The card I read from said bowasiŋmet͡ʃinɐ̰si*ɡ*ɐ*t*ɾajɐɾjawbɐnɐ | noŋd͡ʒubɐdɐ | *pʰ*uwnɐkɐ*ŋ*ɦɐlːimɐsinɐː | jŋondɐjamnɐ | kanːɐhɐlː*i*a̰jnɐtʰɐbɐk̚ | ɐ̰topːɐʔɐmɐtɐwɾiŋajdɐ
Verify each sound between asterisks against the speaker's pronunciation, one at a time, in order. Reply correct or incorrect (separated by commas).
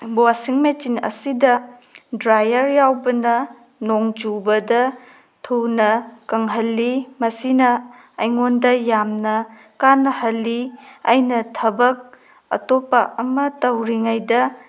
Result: incorrect, incorrect, incorrect, correct, correct